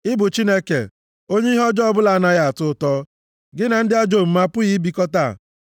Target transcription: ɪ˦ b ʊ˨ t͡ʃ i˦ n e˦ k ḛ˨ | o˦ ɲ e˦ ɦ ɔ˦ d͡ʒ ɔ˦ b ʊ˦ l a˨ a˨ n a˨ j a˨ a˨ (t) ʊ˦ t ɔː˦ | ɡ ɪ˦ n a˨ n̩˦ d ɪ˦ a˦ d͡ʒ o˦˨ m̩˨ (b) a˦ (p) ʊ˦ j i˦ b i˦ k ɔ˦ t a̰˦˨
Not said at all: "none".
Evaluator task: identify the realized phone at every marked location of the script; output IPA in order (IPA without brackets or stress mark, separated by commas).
t, m, p